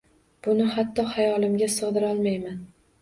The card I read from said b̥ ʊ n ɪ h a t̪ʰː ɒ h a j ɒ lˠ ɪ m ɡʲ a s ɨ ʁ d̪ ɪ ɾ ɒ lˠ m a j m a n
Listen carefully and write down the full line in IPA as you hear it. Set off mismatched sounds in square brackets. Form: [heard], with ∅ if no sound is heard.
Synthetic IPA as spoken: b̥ ʊ n ɪ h a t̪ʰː ɒ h a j ɒ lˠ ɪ m ɡʲ a s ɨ ʁ d̪ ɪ ɾ ɒ lˠ m a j m a n

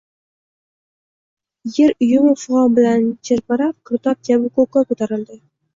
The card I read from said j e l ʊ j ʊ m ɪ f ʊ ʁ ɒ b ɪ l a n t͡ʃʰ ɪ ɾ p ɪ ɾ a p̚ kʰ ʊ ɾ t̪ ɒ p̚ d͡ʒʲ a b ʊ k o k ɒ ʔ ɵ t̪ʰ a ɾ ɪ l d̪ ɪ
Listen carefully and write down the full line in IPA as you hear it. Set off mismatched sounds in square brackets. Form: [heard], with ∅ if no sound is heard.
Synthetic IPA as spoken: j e [ɾ] ʊ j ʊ m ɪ f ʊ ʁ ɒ b ɪ l a n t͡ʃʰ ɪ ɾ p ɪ ɾ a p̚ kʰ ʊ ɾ t̪ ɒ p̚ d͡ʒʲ a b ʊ k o k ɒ [k] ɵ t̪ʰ a ɾ ɪ l d̪ ɪ

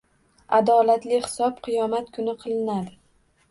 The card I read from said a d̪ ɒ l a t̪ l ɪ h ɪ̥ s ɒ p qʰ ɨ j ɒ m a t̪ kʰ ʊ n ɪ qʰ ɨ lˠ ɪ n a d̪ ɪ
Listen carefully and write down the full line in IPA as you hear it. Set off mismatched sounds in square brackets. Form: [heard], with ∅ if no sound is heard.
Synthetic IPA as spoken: a d̪ ɒ l a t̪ l ɪ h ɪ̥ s ɒ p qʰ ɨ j ɒ m a t̪ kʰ ʊ n ɪ qʰ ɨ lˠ ɪ n a d̪ ɪ

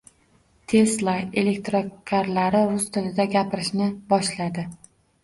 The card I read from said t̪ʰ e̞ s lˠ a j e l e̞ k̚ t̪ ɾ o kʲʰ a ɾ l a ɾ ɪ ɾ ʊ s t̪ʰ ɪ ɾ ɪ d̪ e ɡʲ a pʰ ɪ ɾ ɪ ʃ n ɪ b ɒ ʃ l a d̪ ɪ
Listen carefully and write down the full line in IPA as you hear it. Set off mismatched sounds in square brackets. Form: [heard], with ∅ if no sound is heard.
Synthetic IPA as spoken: t̪ʰ e̞ s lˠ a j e l e̞ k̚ t̪ ɾ o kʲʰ a ɾ l a ɾ ɪ ɾ ʊ s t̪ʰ ɪ [l] ɪ d̪ [a] ɡʲ a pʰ ɪ ɾ ɪ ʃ n ɪ b ɒ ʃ l a d̪ ɪ

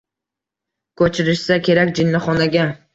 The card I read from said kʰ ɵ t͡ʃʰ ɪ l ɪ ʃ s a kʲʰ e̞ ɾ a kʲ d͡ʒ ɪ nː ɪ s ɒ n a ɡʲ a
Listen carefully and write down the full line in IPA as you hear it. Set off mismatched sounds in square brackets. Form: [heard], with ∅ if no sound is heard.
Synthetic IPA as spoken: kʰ ɵ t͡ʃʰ ɪ [ɾ] ɪ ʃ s a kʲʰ e̞ ɾ a kʲ d͡ʒ ɪ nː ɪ [χ] ɒ n a ɡʲ a

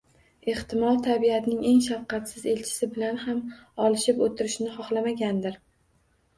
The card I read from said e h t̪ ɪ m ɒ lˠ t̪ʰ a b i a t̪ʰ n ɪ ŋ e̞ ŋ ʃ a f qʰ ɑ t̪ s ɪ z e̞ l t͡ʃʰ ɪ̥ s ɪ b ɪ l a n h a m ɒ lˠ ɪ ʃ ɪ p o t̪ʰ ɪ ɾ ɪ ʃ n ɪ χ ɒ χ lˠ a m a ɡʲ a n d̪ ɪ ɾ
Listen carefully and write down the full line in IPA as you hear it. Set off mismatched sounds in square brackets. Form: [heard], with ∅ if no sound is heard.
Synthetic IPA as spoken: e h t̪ ɪ m ɒ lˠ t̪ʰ a b i a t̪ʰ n ɪ ŋ e̞ ŋ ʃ a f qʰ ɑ t̪ s ɪ z e̞ l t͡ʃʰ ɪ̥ s ɪ b ɪ l a n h a m ɒ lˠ ɪ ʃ ɪ p o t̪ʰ ɪ ɾ ɪ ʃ n ɪ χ ɒ χ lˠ a m a ɡʲ a n d̪ ɪ ɾ

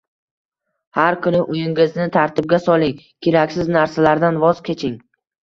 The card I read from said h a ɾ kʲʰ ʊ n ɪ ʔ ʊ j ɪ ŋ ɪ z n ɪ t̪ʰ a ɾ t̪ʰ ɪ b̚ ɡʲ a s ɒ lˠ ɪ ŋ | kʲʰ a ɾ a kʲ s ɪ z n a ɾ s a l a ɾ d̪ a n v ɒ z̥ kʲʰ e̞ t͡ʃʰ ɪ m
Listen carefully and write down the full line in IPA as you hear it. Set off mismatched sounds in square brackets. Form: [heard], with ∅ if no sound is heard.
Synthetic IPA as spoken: h a ɾ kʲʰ ʊ n ɪ ʔ ʊ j ɪ ŋ ɪ z n ɪ t̪ʰ a ɾ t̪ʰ ɪ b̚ ɡʲ a s ɒ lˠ ɪ ŋ | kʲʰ [e] ɾ a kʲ s ɪ z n a ɾ s a l a ɾ d̪ a n v ɒ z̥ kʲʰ e̞ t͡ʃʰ ɪ [ŋ]

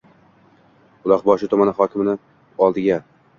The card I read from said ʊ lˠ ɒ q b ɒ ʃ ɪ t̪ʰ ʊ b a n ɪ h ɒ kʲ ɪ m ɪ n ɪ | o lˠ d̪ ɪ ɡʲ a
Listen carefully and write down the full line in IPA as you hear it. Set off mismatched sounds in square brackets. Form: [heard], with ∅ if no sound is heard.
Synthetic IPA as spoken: ʊ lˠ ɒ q b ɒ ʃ ɪ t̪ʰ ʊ [m] a n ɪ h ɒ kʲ ɪ m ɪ n ɪ | [ɒ] lˠ d̪ ɪ ɡʲ a

